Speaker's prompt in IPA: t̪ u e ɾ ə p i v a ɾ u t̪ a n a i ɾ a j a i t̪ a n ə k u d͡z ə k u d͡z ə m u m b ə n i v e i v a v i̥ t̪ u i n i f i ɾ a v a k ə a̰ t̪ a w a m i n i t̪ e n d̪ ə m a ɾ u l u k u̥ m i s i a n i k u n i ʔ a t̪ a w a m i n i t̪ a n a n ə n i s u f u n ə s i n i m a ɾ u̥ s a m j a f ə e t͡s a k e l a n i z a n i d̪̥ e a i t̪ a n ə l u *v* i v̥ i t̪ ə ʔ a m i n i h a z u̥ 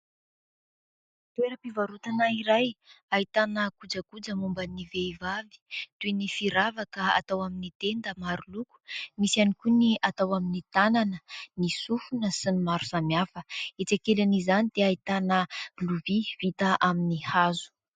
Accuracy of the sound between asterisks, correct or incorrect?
correct